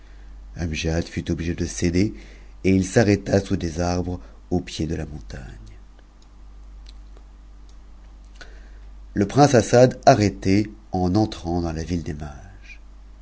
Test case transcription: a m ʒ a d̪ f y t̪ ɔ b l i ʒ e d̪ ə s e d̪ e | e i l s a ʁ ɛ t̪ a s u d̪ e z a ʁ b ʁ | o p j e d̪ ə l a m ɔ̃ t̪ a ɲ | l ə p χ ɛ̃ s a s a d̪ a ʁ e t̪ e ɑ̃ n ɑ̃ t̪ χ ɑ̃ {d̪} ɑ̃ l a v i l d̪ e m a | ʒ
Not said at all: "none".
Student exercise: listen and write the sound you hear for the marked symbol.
d̪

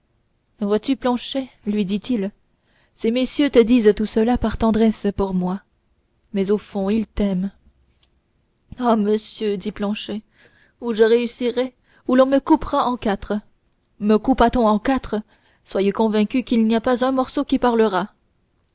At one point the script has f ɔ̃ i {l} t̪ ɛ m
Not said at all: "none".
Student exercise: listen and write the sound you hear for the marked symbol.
l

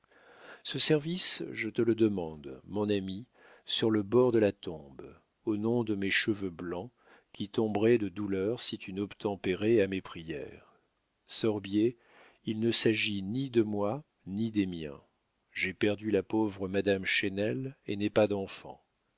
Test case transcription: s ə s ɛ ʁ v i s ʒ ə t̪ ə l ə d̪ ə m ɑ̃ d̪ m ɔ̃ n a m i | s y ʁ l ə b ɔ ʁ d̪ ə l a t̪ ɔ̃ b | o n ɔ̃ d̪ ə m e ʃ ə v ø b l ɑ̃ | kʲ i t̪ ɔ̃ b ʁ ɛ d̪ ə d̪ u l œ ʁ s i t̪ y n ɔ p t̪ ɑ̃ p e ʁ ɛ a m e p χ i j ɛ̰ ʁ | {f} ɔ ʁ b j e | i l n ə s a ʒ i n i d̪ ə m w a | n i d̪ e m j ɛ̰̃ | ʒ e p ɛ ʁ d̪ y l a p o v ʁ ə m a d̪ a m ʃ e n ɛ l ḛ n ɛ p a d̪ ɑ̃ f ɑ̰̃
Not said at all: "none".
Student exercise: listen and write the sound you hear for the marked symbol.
s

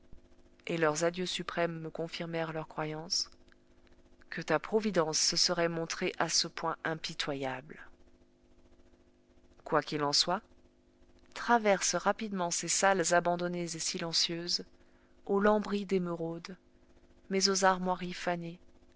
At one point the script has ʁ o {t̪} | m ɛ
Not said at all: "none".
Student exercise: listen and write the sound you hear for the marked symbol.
d̪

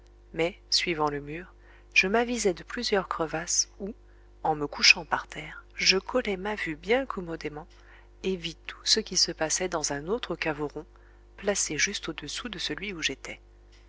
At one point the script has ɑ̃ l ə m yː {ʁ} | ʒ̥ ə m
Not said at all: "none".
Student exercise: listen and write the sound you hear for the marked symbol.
ʁ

